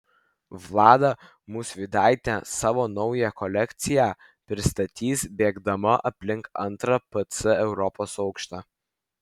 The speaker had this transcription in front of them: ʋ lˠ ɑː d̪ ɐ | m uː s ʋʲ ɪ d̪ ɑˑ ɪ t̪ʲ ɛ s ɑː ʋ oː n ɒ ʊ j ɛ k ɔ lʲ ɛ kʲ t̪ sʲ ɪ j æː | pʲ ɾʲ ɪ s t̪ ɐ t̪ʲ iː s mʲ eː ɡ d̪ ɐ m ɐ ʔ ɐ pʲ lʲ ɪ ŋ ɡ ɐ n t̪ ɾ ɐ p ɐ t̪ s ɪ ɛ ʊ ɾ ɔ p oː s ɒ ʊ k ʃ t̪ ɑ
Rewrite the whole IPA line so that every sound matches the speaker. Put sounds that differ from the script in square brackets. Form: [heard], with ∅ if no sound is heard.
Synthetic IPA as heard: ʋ lˠ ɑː d̪ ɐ | m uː s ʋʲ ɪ d̪ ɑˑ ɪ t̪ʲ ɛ s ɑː ʋ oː n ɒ ʊ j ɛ k ɔ lʲ ɛ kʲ t̪ sʲ ɪ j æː | pʲ ɾʲ ɪ s t̪ ɐ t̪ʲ iː s [bʲ] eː ɡ d̪ ɐ m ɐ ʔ ɐ pʲ lʲ ɪ ŋ [k] ɐ n t̪ ɾ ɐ p ɐ t̪ s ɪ ɛ ʊ ɾ ɔ p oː s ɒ ʊ k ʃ t̪ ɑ